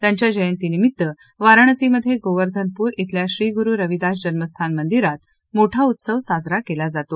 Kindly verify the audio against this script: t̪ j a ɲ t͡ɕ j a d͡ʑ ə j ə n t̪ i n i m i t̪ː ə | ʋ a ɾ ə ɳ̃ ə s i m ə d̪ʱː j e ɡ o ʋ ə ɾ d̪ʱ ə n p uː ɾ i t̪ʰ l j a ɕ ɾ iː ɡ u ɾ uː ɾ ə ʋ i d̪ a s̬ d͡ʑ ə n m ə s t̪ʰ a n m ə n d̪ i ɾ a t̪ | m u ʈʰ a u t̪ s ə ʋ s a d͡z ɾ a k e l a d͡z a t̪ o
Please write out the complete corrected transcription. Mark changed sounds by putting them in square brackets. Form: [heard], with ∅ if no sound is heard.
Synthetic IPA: t̪ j a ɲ t͡ɕ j a d͡ʑ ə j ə n t̪ i n i m i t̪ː ə | ʋ a ɾ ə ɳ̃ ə s i m ə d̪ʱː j e ɡ o ʋ ə ɾ d̪ʱ ə n p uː ɾ i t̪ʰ l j a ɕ ɾ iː ɡ u ɾ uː ɾ ə ʋ i d̪ a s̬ d͡ʑ ə n m ə s t̪ʰ a n m ə n d̪ i ɾ a t̪ | m [o] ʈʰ a u t̪ s ə ʋ s a d͡z ɾ a k e l a d͡z a t̪ o

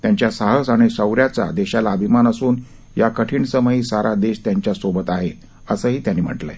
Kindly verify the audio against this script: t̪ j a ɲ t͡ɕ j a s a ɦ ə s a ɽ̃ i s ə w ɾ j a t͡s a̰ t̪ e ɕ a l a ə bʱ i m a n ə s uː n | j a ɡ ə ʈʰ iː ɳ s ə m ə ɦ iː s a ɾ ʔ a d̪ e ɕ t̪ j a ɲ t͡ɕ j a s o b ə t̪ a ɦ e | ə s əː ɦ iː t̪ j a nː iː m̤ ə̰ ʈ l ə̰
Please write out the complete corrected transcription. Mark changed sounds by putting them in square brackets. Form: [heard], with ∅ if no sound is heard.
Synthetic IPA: t̪ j a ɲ t͡ɕ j a s a ɦ ə s a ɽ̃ i s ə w ɾ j a t͡s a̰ [d̪] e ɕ a l a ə bʱ i m a n ə s uː n | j a [k] ə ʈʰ iː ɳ s ə m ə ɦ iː s a ɾ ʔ a d̪ e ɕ t̪ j a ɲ t͡ɕ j a s o b ə t̪ a ɦ e | ə s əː ɦ iː t̪ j a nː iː m̤ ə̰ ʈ l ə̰

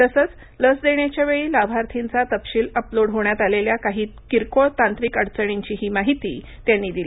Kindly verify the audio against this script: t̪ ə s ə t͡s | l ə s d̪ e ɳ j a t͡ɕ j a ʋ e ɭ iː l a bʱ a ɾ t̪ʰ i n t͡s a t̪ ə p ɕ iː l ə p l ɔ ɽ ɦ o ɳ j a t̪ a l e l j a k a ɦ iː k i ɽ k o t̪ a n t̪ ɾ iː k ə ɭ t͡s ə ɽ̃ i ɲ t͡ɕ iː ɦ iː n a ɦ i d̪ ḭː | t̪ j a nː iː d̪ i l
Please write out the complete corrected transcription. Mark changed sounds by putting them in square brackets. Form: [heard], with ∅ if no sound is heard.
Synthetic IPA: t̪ ə s ə t͡s | l ə s d̪ e ɳ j a t͡ɕ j a ʋ e ɭ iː l a bʱ a ɾ t̪ʰ i n t͡s a t̪ ə p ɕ iː l ə p l [o] ɽ ɦ o ɳ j a t̪ a l e l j a k a ɦ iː k i [ɾ] k o t̪ a n t̪ ɾ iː k ə [ɽ] t͡s ə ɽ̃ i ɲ t͡ɕ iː ɦ iː [m] a ɦ i [t̪] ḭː | t̪ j a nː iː d̪ i l

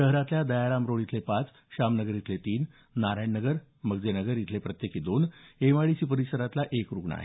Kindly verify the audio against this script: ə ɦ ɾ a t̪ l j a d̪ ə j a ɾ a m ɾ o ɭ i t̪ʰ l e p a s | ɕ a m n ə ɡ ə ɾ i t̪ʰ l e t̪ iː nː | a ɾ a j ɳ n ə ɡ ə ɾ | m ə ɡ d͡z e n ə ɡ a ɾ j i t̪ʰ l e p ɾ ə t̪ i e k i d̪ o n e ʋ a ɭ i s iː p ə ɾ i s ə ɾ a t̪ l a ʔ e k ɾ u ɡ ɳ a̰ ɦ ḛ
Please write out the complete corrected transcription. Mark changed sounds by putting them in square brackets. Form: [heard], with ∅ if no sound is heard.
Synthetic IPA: ə ɦ ɾ a t̪ l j a d̪ ə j a ɾ a m ɾ o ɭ i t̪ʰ l e p a [t͡s] | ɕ a m n ə ɡ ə ɾ i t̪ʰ l e t̪ iː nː | a ɾ a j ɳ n ə ɡ ə ɾ | m ə ɡ d͡z e n ə ɡ [ə] ɾ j i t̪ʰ l e p ɾ ə t̪ [j] e k i d̪ o n e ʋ a ɭ i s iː p ə ɾ i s ə ɾ a t̪ l a ʔ e k ɾ u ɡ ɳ a̰ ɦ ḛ

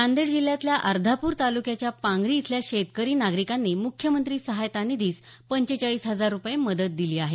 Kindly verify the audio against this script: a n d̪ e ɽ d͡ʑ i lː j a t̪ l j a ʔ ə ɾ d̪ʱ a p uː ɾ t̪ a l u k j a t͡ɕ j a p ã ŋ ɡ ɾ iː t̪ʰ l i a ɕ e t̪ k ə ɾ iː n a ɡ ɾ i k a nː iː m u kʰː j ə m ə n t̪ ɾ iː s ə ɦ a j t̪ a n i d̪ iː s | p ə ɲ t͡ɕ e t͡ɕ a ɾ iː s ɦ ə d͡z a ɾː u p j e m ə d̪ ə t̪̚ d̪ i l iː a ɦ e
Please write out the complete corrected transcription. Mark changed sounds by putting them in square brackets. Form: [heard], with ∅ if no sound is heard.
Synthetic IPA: a n d̪ e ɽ d͡ʑ i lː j a t̪ l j a ʔ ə ɾ d̪ʱ a p uː ɾ t̪ a l u k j a t͡ɕ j a p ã ŋ ɡ ɾ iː t̪ʰ l [j] a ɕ e t̪ k ə ɾ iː n a ɡ ɾ i k a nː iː m u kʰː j ə m ə n t̪ ɾ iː s ə ɦ a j t̪ a n i d̪ iː s | p ə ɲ t͡ɕ e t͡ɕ a [ɭ] iː s ɦ ə d͡z a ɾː u p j e m ə d̪ ə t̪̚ d̪ i l iː a ɦ e

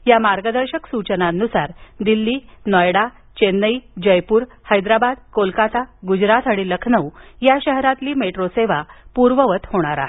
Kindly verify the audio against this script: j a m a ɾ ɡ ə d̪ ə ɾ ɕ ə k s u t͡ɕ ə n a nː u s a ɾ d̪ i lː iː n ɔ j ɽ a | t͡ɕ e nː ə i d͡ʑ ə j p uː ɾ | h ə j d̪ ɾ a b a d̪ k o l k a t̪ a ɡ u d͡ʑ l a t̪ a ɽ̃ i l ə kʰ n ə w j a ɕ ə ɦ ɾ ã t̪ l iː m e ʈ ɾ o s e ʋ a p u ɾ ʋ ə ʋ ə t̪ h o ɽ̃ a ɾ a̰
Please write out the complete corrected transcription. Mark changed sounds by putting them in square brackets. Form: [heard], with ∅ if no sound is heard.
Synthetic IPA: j a m a ɾ ɡ ə d̪ ə ɾ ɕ ə k s u t͡ɕ ə n a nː u s a ɾ d̪ i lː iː n ɔ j ɽ a | t͡ɕ e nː ə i d͡ʑ ə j p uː ɾ | h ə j d̪ ɾ a b a d̪ k o l k a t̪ a ɡ u d͡ʑ [ɾ] a t̪ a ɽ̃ i l ə kʰ n ə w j a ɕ ə ɦ ɾ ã t̪ l iː m e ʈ ɾ o s e ʋ a p u ɾ ʋ ə ʋ ə t̪ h o ɽ̃ a ɾ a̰

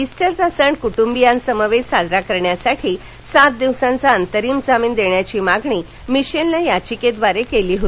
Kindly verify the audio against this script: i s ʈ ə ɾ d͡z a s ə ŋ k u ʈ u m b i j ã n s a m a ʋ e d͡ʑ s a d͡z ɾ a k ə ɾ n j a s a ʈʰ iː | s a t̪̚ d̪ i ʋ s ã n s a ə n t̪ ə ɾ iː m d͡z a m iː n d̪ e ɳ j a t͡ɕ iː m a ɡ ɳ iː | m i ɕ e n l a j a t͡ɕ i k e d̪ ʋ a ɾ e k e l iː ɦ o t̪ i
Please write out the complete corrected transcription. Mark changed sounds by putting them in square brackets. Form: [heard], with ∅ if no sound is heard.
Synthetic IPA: i s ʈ ə ɾ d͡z a s ə [ɳ] k u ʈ u m b i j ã n s [ə] m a ʋ e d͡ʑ s a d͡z ɾ a k ə ɾ [ɳ] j a s a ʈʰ iː | s a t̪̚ d̪ i ʋ s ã n [t͡s] a ə n t̪ ə ɾ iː m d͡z a m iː n d̪ e ɳ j a t͡ɕ iː m a ɡ ɳ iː | m i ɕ e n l a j a t͡ɕ i k e d̪ ʋ a ɾ e k e l iː ɦ o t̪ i

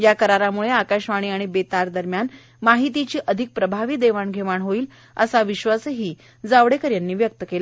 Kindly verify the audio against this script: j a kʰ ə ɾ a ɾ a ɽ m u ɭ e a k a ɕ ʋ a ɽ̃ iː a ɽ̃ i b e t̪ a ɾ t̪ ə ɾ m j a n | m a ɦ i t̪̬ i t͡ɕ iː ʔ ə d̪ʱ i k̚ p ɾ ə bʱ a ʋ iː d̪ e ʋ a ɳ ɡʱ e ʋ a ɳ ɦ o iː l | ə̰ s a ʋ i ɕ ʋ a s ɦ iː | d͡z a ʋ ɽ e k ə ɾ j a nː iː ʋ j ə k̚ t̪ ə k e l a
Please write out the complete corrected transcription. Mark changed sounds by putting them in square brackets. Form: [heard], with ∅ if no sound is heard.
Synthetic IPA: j a [k] ə ɾ a ɾ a [∅] m u ɭ e a k a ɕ ʋ a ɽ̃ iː a ɽ̃ i b e t̪ a ɾ [d̪] ə ɾ m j a n | m a ɦ i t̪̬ i t͡ɕ iː ʔ ə d̪ʱ i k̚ p ɾ ə bʱ a ʋ iː d̪ e ʋ a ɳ ɡʱ e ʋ a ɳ ɦ o iː l | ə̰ s a ʋ i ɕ ʋ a s ɦ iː | d͡z a ʋ ɽ e k ə ɾ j a nː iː ʋ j ə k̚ t̪ ə k e l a

